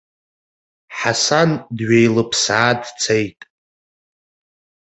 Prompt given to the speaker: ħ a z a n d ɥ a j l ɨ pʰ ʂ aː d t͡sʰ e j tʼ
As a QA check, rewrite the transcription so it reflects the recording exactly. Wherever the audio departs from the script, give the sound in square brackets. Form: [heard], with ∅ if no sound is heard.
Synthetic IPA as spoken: ħ a [s] a n d ɥ [e] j l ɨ pʰ [s] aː d t͡sʰ e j tʼ